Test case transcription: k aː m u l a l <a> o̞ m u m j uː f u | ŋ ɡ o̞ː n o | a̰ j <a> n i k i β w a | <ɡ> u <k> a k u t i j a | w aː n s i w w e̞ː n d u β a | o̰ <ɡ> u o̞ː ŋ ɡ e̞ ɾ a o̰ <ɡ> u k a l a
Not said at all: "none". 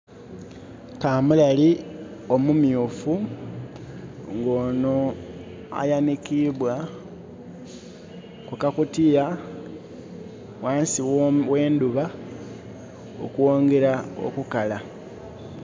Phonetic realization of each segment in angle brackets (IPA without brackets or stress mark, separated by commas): i, a, k, k, k, k